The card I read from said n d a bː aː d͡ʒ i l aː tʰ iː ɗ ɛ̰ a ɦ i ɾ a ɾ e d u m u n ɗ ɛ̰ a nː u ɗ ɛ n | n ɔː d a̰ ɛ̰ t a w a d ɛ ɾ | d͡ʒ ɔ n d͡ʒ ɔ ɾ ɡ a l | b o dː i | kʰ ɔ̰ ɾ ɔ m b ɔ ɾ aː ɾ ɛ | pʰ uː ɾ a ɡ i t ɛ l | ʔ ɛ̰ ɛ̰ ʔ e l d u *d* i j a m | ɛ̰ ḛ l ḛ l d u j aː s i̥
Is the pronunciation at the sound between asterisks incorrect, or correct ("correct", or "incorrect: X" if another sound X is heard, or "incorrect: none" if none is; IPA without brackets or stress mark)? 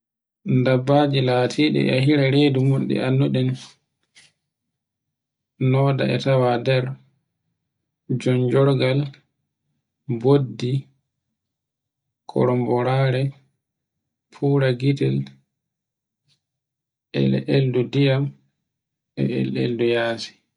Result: correct